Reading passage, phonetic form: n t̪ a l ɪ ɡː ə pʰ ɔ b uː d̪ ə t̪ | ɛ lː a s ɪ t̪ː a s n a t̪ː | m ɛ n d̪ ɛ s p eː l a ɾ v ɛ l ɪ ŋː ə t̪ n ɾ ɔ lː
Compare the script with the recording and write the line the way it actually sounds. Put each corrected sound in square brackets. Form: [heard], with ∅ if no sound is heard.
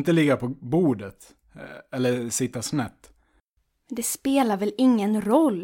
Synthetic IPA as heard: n t̪ [ə] l ɪ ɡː [a] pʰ ɔ b uː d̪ ə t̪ | ɛ lː [ə] s ɪ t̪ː a s n [ɛ] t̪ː | m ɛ n d̪ ɛ s p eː l a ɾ v ɛ l ɪ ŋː ə [∅] n ɾ ɔ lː